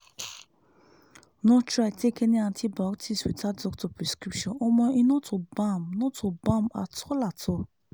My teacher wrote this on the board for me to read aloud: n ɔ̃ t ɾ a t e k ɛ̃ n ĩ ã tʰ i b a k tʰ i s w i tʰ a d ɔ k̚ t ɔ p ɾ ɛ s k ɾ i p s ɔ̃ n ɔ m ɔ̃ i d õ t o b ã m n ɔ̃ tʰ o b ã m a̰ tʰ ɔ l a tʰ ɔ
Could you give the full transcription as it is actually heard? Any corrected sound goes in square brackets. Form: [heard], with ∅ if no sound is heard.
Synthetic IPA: n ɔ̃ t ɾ a t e k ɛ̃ n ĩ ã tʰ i b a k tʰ i s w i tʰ a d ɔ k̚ t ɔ p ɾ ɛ s k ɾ i p [ʃ] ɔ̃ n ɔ m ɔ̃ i [n] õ t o b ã m n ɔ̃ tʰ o b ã m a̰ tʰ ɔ l a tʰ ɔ